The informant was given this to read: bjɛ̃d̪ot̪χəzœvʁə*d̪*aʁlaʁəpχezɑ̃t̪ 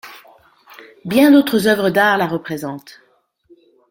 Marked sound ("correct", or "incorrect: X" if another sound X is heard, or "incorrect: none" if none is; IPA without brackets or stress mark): correct